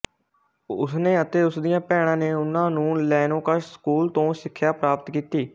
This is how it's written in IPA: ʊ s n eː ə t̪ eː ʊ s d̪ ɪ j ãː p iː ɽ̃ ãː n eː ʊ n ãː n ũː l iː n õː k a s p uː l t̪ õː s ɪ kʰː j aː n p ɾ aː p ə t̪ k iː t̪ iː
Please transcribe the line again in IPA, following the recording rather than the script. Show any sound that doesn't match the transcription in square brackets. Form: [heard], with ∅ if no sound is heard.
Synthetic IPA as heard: ʊ s n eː ə t̪ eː ʊ s d̪ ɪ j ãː p [ɛː] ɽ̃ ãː n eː ʊ n ãː n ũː l [ɛː] n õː k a s [k] uː l t̪ õː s ɪ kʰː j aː [∅] p ɾ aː p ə t̪ k iː t̪ iː